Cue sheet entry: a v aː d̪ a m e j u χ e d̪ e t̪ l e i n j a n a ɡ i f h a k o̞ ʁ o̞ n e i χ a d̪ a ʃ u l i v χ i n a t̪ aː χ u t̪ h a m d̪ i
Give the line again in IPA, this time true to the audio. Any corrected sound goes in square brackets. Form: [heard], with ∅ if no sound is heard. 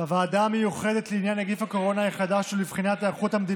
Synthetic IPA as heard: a v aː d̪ a m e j u χ e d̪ e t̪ l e i n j a n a ɡ i f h a k o̞ ʁ o̞ n [a] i χ a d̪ a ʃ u l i v χ i n a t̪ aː χ u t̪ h a m d̪ i